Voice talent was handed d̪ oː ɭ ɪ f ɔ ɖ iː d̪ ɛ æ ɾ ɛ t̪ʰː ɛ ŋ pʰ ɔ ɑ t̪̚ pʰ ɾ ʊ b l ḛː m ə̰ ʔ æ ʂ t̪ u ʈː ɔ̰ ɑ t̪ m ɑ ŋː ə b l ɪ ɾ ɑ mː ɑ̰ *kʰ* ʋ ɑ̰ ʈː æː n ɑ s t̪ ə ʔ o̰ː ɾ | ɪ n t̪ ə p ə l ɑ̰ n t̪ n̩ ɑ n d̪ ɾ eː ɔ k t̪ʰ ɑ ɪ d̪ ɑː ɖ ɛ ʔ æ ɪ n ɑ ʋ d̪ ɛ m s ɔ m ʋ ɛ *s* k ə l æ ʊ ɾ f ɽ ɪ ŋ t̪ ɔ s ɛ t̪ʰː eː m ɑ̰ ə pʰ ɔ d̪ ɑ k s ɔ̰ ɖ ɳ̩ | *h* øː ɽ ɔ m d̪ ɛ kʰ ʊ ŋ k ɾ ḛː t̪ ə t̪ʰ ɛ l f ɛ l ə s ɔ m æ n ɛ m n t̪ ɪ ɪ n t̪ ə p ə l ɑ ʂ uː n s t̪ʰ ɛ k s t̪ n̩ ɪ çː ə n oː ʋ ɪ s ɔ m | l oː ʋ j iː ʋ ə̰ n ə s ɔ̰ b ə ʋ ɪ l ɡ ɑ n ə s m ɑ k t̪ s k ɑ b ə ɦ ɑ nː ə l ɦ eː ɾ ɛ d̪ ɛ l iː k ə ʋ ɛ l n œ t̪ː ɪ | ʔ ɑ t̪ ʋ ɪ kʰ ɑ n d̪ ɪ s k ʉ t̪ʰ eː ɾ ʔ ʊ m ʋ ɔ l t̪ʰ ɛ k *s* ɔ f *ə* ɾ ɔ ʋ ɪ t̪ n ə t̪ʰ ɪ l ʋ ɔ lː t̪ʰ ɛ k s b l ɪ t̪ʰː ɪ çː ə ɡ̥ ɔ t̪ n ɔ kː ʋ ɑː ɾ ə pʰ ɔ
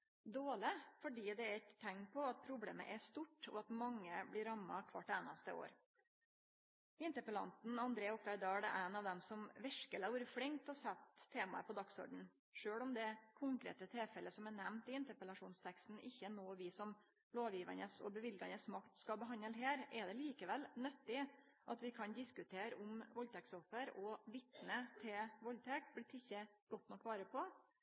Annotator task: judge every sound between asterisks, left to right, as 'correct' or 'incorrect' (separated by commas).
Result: correct, incorrect, incorrect, correct, correct